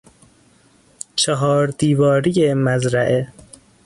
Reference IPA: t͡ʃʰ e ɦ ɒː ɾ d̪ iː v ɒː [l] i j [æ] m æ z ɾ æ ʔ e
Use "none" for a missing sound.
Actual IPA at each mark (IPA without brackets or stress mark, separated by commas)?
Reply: ɾ, e